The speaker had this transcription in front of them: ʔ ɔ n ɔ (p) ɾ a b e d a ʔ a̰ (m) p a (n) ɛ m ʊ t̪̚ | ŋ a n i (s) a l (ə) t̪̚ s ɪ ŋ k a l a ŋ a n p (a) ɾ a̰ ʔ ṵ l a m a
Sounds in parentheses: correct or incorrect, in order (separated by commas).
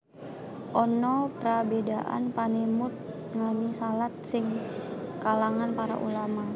correct, incorrect, correct, correct, incorrect, correct